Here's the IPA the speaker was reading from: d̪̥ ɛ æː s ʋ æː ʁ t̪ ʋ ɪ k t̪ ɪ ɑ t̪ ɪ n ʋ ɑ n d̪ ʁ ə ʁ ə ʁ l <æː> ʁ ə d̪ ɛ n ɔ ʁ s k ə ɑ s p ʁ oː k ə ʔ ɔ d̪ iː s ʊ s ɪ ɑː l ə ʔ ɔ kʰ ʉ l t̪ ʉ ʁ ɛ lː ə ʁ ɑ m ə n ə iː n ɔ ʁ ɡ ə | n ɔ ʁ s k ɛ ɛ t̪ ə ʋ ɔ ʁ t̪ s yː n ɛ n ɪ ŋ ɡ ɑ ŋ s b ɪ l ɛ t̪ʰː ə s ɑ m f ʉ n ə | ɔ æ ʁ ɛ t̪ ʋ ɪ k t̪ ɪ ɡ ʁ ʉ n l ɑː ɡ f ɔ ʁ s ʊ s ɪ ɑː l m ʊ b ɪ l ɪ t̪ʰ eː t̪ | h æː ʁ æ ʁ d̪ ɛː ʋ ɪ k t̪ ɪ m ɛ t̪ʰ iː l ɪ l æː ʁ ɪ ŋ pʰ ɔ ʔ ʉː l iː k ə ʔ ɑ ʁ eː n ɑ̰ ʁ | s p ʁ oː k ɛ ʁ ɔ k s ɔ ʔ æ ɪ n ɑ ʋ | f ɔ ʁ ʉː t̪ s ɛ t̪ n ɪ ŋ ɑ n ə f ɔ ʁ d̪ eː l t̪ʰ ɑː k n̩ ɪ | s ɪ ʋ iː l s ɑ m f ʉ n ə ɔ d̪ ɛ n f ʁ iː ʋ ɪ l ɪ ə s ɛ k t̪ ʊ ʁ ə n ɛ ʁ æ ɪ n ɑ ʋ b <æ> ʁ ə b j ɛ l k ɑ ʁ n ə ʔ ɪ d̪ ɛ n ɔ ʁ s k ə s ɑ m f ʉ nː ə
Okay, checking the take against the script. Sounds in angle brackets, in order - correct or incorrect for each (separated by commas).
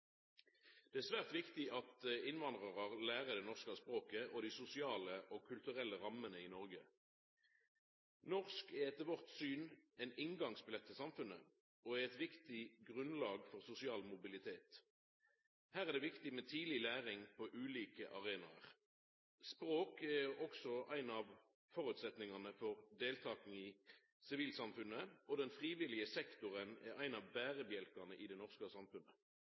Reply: correct, incorrect